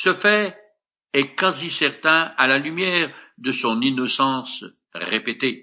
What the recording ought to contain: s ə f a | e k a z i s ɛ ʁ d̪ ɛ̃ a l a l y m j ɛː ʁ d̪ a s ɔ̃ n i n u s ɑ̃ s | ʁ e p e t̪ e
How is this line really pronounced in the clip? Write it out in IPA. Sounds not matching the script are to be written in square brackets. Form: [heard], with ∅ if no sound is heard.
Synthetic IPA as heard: s ə f [ɛ] | [ɛ] k a z i s ɛ ʁ [t̪] ɛ̃ a l a l y m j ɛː ʁ d̪ [ə] s ɔ̃ n i n [ɔ] s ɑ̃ s | ʁ e p e t̪ e